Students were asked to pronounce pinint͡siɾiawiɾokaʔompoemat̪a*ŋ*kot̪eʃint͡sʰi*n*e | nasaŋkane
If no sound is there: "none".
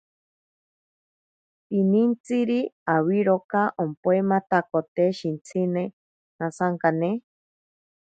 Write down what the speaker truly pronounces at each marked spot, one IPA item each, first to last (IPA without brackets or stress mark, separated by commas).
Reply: none, n